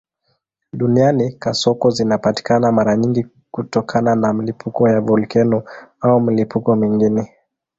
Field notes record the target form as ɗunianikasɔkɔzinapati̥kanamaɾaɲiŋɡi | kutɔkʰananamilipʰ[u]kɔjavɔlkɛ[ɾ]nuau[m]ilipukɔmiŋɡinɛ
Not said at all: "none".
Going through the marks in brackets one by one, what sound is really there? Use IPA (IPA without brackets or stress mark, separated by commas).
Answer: u, none, m